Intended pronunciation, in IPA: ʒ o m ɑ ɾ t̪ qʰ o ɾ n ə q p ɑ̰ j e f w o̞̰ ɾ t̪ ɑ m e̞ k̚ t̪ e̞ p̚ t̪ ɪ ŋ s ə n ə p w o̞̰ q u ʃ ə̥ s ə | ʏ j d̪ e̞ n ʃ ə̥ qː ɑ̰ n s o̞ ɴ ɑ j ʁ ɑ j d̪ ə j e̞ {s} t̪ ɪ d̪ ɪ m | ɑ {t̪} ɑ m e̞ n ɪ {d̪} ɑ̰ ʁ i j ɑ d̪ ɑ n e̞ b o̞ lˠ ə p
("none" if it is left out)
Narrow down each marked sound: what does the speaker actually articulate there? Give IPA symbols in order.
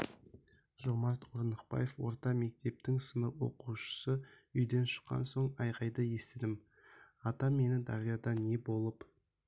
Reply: s, t̪, d̪

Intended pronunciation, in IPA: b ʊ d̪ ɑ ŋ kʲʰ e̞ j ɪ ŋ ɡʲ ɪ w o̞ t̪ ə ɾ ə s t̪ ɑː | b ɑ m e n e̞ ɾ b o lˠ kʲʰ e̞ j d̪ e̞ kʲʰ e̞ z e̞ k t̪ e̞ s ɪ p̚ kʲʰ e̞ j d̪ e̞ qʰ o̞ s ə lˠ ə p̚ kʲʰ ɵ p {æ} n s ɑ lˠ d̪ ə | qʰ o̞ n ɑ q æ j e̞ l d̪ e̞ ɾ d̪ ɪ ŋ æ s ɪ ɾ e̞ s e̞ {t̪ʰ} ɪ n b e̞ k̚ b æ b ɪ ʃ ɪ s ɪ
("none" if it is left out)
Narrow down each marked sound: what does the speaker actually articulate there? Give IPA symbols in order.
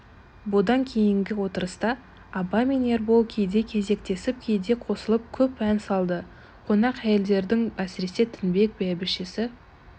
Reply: æ, t̪ʰ

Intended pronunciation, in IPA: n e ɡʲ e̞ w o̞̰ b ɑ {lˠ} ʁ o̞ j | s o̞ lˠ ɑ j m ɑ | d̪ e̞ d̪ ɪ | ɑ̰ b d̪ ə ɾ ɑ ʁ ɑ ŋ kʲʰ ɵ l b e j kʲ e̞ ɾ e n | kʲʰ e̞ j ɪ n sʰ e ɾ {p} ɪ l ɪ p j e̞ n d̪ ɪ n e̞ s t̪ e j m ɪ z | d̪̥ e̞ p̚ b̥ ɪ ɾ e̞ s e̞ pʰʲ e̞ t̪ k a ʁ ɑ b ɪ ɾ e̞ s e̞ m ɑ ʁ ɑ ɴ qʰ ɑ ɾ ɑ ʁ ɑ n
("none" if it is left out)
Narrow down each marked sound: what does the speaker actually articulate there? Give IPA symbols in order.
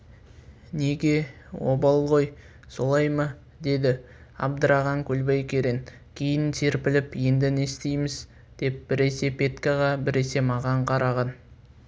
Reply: lˠ, p

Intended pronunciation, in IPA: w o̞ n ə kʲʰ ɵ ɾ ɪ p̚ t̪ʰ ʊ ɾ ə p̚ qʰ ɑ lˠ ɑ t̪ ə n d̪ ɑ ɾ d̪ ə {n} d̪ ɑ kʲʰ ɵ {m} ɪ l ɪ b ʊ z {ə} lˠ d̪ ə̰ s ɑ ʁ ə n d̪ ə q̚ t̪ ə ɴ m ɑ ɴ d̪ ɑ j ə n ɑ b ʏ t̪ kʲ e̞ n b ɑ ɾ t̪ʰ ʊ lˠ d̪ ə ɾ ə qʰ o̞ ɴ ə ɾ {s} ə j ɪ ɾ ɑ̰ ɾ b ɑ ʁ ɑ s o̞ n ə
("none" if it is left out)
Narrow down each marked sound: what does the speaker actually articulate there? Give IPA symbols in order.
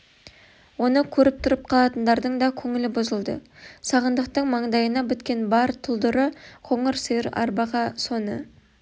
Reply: ɴ, ŋ, ə, s

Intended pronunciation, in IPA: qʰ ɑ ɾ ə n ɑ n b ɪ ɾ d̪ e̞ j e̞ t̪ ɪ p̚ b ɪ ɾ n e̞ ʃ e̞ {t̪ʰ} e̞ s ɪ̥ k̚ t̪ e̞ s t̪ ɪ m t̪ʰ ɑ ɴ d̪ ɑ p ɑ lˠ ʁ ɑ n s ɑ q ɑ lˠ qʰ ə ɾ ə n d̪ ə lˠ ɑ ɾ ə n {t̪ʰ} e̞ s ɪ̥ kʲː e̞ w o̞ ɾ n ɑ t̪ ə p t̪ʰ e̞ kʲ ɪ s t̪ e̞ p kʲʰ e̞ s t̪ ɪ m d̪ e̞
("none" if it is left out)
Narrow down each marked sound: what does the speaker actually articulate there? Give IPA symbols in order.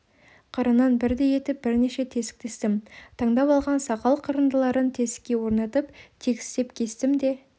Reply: t̪ʰ, t̪ʰ

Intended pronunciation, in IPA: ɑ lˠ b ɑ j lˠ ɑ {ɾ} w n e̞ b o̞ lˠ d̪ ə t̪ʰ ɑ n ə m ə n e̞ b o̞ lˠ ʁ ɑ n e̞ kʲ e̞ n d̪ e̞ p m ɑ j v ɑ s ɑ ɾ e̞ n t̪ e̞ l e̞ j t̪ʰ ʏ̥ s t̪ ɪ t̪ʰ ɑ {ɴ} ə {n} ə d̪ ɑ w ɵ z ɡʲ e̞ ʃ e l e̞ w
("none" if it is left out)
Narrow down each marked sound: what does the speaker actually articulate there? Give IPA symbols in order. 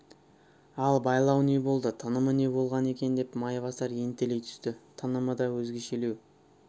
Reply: none, n, m

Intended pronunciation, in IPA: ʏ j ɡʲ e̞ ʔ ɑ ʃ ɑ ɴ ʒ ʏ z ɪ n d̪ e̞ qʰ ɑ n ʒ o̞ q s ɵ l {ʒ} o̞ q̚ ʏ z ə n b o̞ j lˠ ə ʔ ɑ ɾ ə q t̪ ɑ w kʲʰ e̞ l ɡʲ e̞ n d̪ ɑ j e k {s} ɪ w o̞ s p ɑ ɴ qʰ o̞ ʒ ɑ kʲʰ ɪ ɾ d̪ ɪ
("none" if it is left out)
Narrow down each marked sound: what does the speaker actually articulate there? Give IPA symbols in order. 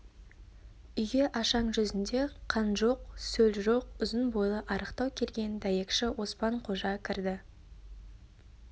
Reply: ʒ, ʃ

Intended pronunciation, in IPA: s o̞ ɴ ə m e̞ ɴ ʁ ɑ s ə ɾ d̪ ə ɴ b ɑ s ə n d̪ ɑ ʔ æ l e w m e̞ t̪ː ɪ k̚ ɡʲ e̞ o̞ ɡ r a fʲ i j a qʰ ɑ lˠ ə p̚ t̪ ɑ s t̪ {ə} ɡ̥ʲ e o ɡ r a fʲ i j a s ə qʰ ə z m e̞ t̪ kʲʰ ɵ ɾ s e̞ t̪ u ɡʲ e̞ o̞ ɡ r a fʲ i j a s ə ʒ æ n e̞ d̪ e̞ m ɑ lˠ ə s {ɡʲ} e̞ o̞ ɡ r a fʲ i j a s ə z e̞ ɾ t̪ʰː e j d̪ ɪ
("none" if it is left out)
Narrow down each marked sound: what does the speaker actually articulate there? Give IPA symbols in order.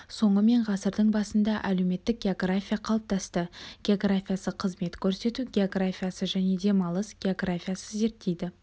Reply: ə, ɡʲ

